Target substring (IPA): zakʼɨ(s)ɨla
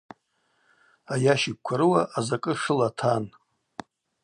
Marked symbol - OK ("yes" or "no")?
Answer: no